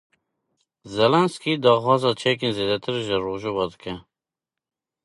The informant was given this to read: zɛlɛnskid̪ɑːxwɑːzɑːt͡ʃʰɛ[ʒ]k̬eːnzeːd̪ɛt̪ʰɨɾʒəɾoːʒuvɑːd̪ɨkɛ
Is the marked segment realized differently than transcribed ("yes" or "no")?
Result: yes